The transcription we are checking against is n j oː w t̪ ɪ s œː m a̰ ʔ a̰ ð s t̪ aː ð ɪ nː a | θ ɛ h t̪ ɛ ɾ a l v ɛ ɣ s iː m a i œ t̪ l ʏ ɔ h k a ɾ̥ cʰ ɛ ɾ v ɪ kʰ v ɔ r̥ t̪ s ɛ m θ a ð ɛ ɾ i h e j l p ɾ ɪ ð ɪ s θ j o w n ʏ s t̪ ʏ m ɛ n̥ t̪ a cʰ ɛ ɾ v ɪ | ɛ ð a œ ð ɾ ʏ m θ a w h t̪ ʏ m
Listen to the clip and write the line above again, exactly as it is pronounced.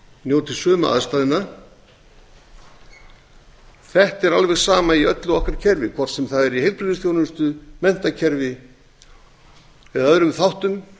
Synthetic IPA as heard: n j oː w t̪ ɪ s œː m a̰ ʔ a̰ ð s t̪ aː ð ɪ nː a | θ ɛ h t̪ ɛ ɾ a l v ɛ ɣ s aː m a i œ t̪ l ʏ ɔ h k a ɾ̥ cʰ ɛ ɾ v ɪ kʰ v ɔ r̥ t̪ s ɛ m θ a ð ɛ ɾ i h e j l p ɾ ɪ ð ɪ s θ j o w n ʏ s t̪ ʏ m ɛ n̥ t̪ a cʰ ɛ ɾ v ɪ | ɛ ð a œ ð ɾ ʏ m θ a w h t̪ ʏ m